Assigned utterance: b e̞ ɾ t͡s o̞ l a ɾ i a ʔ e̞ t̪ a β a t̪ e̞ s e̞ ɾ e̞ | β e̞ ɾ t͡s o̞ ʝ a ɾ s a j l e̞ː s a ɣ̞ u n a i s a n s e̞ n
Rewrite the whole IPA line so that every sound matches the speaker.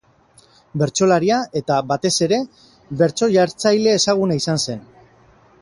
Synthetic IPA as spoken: b e̞ ɾ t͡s o̞ l a ɾ i a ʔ e̞ t̪ a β a t̪ e̞ s e̞ ɾ e̞ | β e̞ ɾ t͡s o̞ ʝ a ɾ t͡s a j l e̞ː s a ɣ̞ u n a i s a n s e̞ n